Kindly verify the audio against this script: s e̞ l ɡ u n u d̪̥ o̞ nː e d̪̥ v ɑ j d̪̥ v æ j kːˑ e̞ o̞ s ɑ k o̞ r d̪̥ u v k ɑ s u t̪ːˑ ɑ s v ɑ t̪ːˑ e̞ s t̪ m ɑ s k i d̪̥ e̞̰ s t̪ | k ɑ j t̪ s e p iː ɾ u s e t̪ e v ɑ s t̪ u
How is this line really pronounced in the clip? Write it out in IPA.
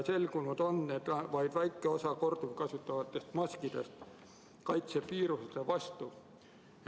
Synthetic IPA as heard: s e̞ l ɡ u n u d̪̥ o̞ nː e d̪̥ v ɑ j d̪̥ v æ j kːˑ e̞ o̞ s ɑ k o̞ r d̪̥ u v k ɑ s u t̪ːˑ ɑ v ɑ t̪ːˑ e̞ s t̪ m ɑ s k i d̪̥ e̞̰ s t̪ | k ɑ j t̪ s e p iː ɾ u s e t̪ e v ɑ s t̪ u